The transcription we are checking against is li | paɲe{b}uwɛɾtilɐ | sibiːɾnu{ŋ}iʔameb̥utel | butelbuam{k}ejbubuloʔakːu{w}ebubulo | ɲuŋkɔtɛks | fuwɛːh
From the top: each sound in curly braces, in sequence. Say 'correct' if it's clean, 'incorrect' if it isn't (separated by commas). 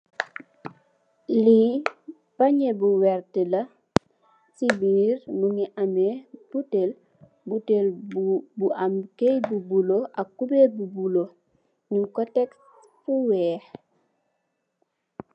correct, correct, correct, incorrect